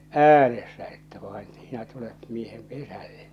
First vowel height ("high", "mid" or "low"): low